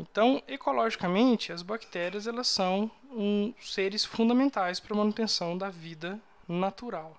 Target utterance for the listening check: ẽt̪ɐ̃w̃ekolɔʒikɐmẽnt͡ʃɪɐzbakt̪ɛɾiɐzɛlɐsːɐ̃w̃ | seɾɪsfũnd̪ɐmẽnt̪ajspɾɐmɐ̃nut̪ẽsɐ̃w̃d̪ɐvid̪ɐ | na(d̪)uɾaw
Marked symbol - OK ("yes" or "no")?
no